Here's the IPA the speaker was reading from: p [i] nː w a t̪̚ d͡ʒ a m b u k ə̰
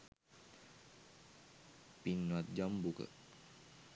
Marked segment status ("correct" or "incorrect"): correct